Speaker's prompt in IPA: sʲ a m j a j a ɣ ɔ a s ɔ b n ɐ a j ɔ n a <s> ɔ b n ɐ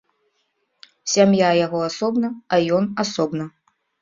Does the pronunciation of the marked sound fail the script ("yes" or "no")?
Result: no